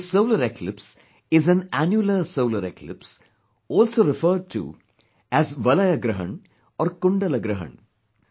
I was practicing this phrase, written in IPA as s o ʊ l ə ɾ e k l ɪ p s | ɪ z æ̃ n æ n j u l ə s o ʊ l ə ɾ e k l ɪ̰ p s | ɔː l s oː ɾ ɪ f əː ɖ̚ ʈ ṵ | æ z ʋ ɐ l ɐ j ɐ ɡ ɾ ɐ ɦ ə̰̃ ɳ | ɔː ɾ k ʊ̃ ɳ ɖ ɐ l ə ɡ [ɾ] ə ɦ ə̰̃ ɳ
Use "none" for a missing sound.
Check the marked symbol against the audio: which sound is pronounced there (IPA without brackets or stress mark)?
ɾ